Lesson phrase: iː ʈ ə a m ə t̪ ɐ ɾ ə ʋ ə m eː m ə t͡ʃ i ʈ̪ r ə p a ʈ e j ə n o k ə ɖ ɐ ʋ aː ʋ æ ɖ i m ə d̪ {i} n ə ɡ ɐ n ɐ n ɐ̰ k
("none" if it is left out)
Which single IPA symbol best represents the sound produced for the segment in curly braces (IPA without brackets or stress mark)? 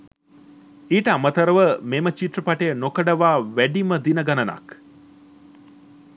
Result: i